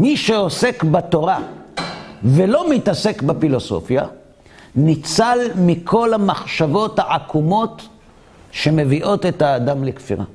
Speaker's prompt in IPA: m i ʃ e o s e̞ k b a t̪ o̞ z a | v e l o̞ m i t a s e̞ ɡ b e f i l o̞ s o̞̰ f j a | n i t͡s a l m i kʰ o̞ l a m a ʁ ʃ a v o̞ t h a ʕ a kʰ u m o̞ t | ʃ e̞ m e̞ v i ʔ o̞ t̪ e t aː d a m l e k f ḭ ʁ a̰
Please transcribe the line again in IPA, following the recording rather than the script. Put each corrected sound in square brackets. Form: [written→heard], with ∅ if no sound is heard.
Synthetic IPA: m i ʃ e o s e̞ k b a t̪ o̞ [z→ʁ] a | v e l o̞ m i t a s e̞ [ɡ→k] b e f i l o̞ s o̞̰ f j a | n i t͡s a l m i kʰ o̞ l a m a [ʁ→χ] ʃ a v o̞ t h a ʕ a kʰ u m o̞ t | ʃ e̞ m e̞ v i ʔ o̞ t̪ e t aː d a m l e k f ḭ ʁ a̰